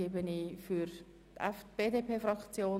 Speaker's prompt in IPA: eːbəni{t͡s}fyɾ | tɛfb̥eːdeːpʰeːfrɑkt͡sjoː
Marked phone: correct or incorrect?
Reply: incorrect